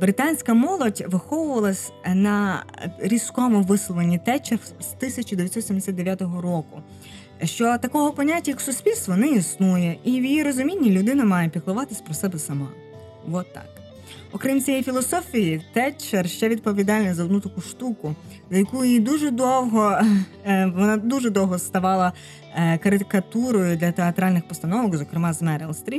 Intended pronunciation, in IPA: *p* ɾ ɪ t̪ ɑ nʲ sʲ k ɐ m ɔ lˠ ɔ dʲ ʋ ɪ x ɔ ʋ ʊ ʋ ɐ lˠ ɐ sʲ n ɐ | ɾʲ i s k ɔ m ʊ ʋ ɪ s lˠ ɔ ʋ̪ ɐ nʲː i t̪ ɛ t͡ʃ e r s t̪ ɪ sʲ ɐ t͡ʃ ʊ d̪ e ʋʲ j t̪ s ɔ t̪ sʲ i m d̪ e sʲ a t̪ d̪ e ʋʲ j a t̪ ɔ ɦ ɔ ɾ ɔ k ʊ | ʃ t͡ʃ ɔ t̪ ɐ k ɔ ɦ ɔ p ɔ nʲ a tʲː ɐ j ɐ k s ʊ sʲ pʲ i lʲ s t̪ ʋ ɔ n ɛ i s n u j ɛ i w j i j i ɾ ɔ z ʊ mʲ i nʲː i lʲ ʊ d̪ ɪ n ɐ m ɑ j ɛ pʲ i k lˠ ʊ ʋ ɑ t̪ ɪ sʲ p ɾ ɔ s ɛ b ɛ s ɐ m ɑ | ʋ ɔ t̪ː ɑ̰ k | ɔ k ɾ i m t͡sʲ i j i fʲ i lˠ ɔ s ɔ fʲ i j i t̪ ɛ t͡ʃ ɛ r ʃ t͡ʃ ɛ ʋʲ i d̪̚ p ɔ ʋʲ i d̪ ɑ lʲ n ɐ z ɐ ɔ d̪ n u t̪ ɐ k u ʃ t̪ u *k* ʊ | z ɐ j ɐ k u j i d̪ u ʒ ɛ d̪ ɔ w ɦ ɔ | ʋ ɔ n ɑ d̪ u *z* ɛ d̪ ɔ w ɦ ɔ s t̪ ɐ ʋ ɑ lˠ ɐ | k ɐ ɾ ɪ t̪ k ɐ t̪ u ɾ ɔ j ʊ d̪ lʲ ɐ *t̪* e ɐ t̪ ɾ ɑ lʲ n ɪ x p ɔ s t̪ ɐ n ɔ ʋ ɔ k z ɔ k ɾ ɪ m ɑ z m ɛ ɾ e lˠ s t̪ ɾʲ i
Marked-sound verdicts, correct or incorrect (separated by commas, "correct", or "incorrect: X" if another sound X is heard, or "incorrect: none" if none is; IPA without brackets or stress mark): incorrect: b, correct, incorrect: ʒ, correct